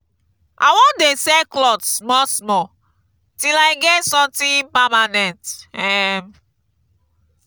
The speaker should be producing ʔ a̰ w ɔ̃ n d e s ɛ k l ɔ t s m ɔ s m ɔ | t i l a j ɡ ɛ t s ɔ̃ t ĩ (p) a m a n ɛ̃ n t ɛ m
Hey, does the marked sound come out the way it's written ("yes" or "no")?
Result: yes